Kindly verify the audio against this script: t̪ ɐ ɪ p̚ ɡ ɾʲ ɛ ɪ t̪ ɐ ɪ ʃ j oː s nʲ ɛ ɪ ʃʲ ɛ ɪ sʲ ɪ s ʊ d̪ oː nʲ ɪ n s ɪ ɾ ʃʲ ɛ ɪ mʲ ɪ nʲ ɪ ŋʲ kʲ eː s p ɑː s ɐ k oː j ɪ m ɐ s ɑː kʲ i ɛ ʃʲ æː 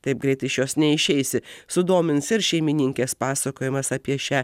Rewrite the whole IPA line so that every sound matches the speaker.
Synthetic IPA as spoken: t̪ ɐ ɪ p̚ ɡ ɾʲ ɛ ɪ t̪ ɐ ɪ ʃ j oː s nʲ ɛ ɪ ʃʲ ɛ ɪ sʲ ɪ s ʊ d̪ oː mʲ ɪ n s ɪ ɾ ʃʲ ɛ ɪ mʲ ɪ nʲ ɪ ŋʲ kʲ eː s p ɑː s ɐ k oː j ɪ m ɐ s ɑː pʲ i ɛ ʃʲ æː

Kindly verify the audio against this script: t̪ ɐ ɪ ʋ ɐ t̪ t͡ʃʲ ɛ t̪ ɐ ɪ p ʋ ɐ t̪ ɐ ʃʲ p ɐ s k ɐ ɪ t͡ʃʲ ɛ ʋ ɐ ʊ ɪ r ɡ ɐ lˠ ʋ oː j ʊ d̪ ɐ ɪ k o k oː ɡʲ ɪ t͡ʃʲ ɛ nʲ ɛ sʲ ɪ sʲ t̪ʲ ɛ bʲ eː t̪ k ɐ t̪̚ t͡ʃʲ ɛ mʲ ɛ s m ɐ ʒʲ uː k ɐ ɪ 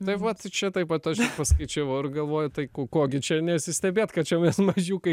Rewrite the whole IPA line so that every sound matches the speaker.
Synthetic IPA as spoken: t̪ ɐ ɪ ʋ ɐ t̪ t͡ʃʲ ɛ t̪ ɐ ɪ p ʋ ɐ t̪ ɐ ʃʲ p ɐ s k ɐ ɪ t͡ʃʲ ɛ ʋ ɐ ʊ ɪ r ɡ ɐ lˠ ʋ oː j ʊ t̪ ɐ ɪ k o k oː ɡʲ ɪ t͡ʃʲ ɛ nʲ ɛ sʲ ɪ sʲ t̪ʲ ɛ bʲ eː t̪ k ɐ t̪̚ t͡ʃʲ ɛ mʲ ɛ s m ɐ ʒʲ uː k ɐ ɪ

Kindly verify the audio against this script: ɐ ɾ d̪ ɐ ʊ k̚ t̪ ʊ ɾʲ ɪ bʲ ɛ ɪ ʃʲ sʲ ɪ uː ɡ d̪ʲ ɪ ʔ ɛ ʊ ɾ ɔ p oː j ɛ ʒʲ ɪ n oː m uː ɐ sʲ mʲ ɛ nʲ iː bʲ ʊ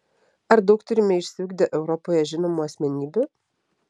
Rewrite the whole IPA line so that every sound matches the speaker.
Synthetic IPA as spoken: ɐ ɾ d̪ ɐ ʊ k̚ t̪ ʊ ɾʲ ɪ mʲ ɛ ɪ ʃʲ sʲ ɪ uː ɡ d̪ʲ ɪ ʔ ɛ ʊ ɾ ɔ p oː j ɛ ʒʲ ɪ n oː m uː ɐ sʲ mʲ ɛ nʲ iː bʲ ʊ

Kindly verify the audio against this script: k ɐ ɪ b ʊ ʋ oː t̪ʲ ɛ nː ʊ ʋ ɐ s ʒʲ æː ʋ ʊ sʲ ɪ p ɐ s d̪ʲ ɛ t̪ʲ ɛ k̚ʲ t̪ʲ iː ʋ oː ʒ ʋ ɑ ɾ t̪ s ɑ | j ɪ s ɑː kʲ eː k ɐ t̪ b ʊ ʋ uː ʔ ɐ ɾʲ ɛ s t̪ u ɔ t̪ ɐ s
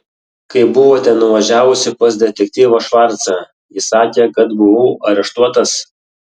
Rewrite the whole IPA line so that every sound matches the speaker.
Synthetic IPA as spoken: k ɐ ɪ b ʊ ʋ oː t̪ʲ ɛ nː ʊ ʋ ɐ ʒʲ æː ʋ ʊ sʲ ɪ p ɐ s d̪ʲ ɛ t̪ʲ ɛ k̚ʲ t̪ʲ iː ʋ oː ʃ ʋ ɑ ɾ t̪ s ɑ | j ɪ s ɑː kʲ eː k ɐ t̪ b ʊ ʋ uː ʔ ɐ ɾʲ ɛ ʃ t̪ u ɔ t̪ ɐ s

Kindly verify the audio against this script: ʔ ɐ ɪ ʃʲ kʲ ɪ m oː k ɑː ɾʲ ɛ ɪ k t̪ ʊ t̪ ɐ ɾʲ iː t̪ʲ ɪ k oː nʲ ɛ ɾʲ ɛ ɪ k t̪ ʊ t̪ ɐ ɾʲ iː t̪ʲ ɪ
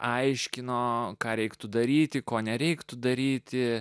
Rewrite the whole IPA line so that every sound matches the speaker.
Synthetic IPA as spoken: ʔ ɐ ɪ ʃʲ kʲ ɪ n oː k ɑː ɾʲ ɛ ɪ k t̪ ʊ d̪ ɐ ɾʲ iː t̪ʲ ɪ k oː nʲ ɛ ɾʲ ɛ ɪ k t̪ ʊ d̪ ɐ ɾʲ iː t̪ʲ ɪ

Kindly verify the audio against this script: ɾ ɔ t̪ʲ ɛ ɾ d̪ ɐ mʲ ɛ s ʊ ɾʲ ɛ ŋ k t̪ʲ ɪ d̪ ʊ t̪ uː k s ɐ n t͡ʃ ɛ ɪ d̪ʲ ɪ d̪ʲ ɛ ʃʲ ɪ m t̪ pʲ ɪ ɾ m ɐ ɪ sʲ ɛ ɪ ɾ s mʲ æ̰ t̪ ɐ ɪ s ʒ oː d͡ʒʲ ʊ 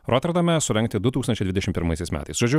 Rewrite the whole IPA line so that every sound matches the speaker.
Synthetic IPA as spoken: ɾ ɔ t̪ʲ ɛ ɾ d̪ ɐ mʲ ɛ s ʊ ɾʲ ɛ ŋ k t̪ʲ ɪ d̪ ʊ t̪ uː k s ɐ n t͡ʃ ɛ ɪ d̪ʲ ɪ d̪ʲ ɛ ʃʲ ɪ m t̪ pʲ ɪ ɾ m ɐ ɪ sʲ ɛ ɪ s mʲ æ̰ t̪ ɐ ɪ s ʒ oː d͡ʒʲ ʊ

